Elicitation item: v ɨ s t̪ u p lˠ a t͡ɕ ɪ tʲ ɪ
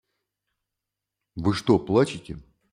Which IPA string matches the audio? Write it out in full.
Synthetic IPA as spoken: v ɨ ʂ t̪ o p lˠ a t͡ɕ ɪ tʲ ɪ